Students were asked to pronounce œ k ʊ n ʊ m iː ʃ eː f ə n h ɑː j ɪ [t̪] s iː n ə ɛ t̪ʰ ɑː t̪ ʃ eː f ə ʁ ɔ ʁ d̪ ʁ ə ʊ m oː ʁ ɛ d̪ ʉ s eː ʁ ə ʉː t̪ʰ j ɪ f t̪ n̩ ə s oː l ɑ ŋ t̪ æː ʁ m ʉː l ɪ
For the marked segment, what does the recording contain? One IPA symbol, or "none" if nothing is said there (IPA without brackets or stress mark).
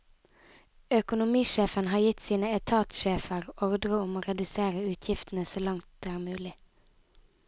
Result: t̪